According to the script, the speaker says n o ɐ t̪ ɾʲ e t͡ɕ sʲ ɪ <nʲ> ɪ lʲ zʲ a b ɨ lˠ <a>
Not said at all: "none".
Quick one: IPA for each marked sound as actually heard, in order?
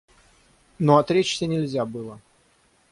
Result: nʲ, ə

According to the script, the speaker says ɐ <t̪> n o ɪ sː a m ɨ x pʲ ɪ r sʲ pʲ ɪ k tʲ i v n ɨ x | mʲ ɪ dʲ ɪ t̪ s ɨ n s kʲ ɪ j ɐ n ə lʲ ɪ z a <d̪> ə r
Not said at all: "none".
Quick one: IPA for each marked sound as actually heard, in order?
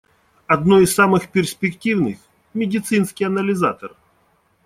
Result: d̪, t̪

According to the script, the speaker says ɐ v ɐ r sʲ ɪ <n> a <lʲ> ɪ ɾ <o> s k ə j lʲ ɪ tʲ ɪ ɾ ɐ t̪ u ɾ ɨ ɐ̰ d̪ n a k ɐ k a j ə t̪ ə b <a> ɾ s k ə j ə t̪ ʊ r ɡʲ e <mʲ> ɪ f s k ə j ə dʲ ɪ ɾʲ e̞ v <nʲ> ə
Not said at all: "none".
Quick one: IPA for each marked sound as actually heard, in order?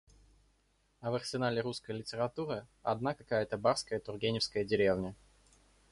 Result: n, lʲ, u, a, nʲ, nʲ

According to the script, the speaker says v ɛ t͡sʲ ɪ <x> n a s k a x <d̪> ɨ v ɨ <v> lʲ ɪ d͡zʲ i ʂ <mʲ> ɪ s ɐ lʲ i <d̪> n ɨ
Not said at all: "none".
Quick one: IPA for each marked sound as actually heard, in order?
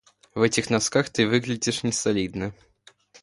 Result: x, t̪, ɣ, nʲ, d̪

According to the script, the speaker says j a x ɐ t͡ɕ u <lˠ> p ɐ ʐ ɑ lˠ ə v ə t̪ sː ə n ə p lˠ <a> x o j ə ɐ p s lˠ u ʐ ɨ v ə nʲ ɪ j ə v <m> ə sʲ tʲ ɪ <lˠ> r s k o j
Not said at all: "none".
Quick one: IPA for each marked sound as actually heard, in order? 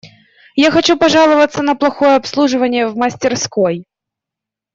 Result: none, ɐ, m, none

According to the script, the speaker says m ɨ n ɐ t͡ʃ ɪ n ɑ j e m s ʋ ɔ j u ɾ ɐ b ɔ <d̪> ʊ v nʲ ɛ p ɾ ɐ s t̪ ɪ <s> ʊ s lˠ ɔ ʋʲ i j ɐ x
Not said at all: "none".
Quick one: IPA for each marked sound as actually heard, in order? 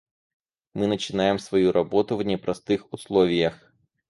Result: t̪, x

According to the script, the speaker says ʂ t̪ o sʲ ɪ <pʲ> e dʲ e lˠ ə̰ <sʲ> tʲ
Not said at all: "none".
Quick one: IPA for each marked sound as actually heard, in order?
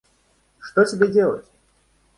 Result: bʲ, none

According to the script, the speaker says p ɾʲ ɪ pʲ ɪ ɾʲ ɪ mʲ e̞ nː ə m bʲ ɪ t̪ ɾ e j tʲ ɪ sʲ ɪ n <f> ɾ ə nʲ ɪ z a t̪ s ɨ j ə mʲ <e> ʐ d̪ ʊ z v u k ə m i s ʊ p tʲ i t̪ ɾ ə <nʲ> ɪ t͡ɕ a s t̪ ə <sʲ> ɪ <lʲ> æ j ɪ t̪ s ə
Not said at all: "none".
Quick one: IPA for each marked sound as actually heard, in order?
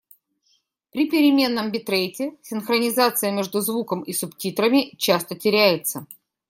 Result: x, e, mʲ, tʲ, ɾʲ

